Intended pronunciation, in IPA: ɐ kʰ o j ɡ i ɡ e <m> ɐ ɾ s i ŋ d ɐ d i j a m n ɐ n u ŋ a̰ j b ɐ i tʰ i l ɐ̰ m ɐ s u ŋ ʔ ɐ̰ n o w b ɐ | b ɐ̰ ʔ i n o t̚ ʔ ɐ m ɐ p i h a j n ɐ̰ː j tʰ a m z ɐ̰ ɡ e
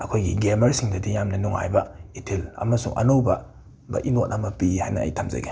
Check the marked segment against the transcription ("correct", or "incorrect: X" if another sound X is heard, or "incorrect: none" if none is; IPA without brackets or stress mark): correct